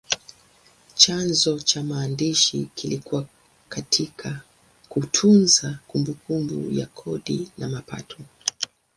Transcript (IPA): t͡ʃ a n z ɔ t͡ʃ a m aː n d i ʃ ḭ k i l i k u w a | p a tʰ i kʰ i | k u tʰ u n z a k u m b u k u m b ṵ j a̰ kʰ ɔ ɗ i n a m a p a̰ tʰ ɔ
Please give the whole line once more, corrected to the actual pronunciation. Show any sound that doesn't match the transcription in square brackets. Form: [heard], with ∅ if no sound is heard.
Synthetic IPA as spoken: t͡ʃ a n z ɔ t͡ʃ a m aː n d i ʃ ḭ k i l i k u w a | [k] a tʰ i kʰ [a] | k u tʰ u n z a k u m b u k u m b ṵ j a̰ kʰ ɔ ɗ i n a m a p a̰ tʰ ɔ